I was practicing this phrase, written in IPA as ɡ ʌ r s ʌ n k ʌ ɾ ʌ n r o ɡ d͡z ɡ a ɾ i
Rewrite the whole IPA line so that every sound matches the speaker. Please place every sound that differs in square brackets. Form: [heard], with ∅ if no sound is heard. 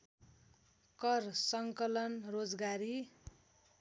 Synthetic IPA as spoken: [k] ʌ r s ʌ [ŋ] k ʌ [l] ʌ n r o [∅] d͡z ɡ a ɾ i